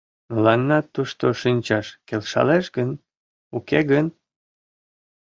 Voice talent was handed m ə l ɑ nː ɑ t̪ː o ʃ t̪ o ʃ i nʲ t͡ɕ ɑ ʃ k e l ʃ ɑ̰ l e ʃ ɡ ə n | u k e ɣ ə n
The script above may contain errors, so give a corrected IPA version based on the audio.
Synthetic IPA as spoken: m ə l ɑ nː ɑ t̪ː u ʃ t̪ o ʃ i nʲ t͡ɕ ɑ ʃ k e l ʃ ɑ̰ l e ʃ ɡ ə n | u k e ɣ ə n